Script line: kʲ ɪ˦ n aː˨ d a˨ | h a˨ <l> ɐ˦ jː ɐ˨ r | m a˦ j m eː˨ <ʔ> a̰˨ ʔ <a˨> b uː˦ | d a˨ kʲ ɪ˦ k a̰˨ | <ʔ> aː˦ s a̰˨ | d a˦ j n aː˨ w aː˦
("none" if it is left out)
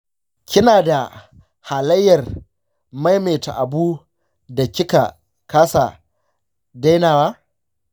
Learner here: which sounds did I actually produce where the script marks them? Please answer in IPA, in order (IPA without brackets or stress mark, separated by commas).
l, t, a˨, k